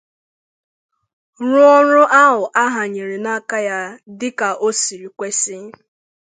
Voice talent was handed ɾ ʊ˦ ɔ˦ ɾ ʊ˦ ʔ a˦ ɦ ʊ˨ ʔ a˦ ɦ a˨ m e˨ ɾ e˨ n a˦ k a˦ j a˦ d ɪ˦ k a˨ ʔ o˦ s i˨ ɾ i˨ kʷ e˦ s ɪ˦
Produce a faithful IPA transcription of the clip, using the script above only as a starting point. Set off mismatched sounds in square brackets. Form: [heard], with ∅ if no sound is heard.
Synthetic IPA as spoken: ɾ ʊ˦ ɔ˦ ɾ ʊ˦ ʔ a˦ ɦ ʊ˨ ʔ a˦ ɦ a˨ [ɲ] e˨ ɾ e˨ n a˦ k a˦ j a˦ d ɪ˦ k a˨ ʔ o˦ s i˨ ɾ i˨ kʷ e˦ s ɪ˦